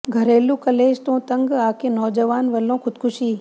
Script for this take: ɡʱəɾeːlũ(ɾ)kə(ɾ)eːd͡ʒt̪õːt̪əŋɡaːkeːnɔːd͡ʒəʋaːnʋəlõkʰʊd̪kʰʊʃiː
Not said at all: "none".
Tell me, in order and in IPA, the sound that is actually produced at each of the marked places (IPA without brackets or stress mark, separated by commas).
none, l